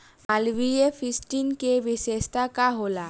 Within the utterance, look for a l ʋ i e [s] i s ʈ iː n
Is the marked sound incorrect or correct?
incorrect